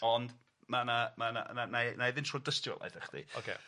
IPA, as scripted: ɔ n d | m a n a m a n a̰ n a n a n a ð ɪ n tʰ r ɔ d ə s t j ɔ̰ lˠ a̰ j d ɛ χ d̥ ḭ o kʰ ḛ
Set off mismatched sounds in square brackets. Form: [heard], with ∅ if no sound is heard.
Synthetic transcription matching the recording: ɔ n d | m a n a m a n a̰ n a n a n a ð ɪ n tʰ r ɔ d ə s t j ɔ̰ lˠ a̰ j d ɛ χ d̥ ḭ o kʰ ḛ